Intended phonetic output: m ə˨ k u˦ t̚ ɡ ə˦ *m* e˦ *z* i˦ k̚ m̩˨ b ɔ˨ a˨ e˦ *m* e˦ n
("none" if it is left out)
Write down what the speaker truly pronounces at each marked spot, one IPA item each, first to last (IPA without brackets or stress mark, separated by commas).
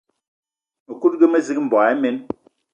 m, z, m